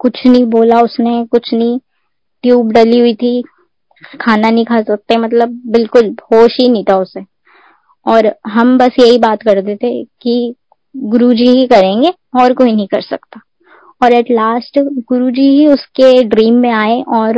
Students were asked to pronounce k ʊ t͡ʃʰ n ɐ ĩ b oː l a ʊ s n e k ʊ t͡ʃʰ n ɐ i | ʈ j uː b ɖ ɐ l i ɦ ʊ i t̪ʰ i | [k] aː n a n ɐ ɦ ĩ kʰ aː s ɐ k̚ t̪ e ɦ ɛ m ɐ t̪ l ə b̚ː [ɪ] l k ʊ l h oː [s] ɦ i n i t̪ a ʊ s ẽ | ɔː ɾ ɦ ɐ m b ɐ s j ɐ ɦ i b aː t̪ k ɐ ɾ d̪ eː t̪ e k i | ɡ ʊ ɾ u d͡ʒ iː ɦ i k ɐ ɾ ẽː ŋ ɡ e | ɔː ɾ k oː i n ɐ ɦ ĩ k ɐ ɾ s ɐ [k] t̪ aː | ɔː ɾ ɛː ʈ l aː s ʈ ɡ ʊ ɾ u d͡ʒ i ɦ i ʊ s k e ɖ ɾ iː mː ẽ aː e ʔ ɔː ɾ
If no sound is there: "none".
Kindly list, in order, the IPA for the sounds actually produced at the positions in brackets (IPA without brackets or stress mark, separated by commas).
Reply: kʰ, ɪ, ʃ, k